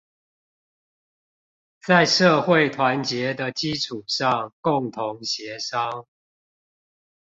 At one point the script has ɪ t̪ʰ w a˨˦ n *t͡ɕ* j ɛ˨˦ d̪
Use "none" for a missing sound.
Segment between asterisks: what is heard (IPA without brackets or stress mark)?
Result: t͡ɕ